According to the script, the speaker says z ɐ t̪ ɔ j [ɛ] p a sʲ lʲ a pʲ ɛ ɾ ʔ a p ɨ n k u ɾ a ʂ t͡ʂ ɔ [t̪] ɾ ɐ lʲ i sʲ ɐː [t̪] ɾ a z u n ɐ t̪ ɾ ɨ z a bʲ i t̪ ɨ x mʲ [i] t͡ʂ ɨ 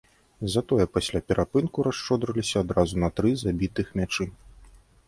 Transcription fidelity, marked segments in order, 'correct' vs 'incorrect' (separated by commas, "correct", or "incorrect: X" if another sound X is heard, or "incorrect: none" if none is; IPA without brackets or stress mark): correct, incorrect: d̪, incorrect: d̪, incorrect: a